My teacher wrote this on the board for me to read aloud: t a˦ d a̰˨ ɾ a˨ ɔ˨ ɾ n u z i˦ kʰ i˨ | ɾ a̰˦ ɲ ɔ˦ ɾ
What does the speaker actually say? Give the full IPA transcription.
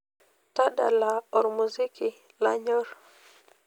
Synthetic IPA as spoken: t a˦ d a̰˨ l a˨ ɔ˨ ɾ m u z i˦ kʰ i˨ | l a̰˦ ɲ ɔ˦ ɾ